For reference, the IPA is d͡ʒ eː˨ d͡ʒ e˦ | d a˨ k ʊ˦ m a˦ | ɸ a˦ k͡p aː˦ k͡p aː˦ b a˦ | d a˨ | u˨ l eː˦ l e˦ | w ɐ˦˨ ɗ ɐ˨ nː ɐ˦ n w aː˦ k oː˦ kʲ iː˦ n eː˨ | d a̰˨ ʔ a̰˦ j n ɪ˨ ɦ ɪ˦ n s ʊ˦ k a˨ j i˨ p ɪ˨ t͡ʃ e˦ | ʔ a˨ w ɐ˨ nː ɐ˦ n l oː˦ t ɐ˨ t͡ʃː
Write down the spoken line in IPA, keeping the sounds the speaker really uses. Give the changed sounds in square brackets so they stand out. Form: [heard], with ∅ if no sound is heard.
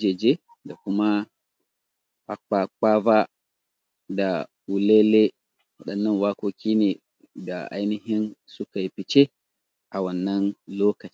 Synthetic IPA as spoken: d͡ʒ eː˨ d͡ʒ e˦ | d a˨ k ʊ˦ m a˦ | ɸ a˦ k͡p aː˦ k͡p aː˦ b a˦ | d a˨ | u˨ l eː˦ l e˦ | w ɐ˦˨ ɗ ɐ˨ nː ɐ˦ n w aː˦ k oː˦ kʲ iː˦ n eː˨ | d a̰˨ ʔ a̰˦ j n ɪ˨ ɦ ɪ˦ n s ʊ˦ k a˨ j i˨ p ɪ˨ t͡ʃ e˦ | ʔ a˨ w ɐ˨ nː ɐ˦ n l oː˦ [k] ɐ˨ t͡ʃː

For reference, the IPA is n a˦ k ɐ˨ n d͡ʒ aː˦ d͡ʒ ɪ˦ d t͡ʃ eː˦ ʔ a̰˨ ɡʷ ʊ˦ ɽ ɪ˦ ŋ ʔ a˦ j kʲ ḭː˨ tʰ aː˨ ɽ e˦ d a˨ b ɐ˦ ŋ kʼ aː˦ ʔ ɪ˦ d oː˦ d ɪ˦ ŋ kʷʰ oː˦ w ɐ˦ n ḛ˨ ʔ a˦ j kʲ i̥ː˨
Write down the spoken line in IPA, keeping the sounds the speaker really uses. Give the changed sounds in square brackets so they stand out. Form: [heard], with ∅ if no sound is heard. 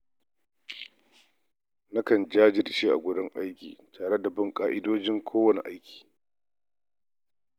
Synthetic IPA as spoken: n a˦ k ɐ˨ n d͡ʒ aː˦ d͡ʒ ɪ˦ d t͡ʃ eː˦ ʔ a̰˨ ɡʷ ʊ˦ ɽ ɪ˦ ŋ ʔ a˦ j kʲ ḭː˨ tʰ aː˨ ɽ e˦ d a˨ b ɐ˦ ŋ kʼ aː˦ ʔ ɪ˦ d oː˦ [d͡ʒ] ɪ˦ ŋ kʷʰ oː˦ w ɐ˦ n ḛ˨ ʔ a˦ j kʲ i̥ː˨

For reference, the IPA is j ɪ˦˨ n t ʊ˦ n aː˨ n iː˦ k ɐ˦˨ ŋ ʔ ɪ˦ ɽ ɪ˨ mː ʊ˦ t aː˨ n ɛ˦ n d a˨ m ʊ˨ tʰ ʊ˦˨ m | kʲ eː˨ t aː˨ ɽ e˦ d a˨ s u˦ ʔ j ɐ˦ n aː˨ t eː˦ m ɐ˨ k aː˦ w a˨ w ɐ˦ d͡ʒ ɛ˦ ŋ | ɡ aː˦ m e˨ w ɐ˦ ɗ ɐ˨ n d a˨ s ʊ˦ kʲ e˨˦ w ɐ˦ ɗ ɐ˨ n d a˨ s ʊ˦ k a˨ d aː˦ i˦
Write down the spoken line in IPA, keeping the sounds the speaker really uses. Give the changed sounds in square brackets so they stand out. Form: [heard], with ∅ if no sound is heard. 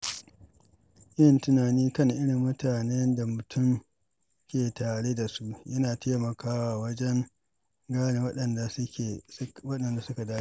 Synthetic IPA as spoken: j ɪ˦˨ n t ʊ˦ n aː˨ n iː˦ k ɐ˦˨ ŋ ʔ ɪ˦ ɽ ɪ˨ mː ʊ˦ t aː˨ n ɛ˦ n d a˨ m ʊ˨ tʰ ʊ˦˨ m | kʲ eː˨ t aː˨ ɽ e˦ d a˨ s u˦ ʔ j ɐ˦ n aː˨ t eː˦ m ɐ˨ k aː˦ w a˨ w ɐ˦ d͡ʒ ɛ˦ ŋ | ɡ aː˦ [n] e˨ w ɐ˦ ɗ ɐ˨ n d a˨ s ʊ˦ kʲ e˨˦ w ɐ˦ ɗ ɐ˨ n d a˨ s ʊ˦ k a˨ d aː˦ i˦

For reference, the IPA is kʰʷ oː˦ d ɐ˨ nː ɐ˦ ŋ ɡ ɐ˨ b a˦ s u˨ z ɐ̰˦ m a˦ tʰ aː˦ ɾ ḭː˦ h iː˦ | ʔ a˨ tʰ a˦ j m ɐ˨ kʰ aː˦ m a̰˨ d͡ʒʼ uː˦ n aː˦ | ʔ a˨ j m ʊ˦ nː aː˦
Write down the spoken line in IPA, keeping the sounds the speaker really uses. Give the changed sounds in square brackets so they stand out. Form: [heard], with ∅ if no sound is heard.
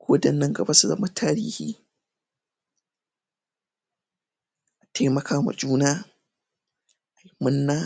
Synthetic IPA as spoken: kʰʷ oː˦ d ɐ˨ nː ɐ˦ ŋ ɡ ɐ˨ b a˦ s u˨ z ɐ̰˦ m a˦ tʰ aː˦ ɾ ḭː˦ h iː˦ | ʔ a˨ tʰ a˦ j m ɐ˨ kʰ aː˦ m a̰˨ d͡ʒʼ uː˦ n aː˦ | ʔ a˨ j m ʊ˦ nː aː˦

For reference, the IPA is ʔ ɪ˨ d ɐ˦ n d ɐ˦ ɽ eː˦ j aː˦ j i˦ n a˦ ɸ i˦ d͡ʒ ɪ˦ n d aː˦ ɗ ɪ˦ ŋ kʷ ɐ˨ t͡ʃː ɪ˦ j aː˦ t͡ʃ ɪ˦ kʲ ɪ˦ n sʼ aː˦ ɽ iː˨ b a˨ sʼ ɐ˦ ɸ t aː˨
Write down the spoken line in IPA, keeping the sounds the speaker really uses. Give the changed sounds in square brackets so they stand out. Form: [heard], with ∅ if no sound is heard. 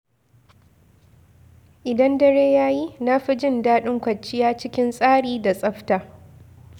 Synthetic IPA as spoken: ʔ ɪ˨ d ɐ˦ n d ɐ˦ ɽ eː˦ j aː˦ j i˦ n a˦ ɸ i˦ d͡ʒ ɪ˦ n d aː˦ ɗ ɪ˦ ŋ kʷ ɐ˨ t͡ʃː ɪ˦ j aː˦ t͡ʃ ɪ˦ kʲ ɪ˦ n sʼ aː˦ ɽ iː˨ [d] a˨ sʼ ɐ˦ ɸ t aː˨

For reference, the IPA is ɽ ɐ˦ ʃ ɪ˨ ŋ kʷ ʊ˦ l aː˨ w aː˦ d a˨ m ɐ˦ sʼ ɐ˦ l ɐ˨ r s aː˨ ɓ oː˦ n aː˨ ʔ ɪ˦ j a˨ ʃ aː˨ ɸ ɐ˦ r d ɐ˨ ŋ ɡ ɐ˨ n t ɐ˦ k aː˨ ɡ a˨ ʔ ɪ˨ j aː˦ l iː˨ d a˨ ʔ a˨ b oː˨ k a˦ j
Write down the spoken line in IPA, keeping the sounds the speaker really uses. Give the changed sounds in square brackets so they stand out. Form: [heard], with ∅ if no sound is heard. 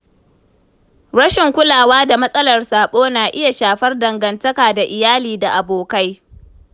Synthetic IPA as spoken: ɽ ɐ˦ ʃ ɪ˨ ŋ kʷ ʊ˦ l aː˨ w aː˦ d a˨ m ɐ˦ sʼ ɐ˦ l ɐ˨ r s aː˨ ɓ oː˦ n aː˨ ʔ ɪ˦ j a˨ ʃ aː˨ ɸ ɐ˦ r d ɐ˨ ŋ ɡ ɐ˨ n t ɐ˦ k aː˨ [d] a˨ ʔ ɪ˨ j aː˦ l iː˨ d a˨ ʔ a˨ b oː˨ k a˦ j

